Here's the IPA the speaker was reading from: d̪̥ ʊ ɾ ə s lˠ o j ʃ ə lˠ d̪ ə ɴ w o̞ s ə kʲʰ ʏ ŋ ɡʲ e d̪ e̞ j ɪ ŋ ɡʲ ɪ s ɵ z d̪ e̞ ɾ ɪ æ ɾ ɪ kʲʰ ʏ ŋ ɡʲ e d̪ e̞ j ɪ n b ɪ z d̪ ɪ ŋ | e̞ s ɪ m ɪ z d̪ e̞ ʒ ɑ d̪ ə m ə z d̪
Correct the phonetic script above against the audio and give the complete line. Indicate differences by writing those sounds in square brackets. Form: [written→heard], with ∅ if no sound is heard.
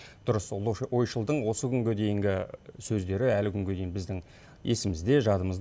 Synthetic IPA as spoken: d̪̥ ʊ ɾ ə s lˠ o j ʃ ə lˠ d̪ ə ɴ w o̞ s ə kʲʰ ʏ ŋ ɡʲ e d̪ e̞ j ɪ ŋ ɡʲ ɪ s ɵ z d̪ e̞ ɾ ɪ æ [ɾ→l] ɪ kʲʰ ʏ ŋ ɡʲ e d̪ e̞ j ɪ n b ɪ z d̪ ɪ ŋ | e̞ s ɪ m ɪ z d̪ e̞ ʒ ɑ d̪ ə m ə z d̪